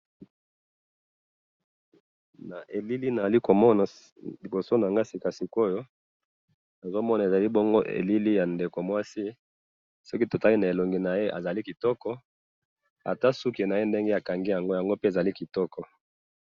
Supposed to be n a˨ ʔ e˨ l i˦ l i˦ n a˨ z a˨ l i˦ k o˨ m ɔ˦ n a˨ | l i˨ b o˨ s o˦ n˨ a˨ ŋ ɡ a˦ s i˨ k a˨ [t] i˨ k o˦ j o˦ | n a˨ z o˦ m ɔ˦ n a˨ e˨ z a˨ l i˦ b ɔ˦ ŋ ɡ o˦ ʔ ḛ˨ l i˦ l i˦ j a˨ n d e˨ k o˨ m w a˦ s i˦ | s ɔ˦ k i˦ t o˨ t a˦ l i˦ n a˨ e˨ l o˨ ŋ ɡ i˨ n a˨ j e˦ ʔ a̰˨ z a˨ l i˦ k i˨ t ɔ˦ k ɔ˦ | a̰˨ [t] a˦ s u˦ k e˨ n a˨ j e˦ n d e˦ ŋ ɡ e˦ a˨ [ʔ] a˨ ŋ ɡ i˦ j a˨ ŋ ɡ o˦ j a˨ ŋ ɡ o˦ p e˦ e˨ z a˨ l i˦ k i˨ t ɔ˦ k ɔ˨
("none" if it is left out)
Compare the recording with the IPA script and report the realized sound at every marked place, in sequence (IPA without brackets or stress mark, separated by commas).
s, t, k